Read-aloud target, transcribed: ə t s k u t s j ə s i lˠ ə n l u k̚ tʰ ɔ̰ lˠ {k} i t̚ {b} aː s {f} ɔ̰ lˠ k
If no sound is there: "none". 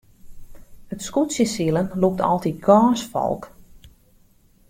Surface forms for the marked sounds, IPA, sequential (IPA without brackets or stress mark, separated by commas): t, ɡ, f